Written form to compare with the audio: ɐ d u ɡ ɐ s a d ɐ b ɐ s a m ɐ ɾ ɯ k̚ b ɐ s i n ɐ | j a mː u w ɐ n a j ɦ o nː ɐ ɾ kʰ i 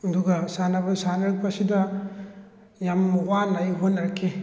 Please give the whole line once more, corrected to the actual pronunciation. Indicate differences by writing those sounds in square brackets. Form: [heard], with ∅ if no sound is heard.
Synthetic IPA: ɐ d u ɡ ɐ s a [n] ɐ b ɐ s a [n] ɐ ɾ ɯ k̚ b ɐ s i [d] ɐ | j a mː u w [a] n a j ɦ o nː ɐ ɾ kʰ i